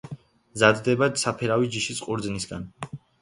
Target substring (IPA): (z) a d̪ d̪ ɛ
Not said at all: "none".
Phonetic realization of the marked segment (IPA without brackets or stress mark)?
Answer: z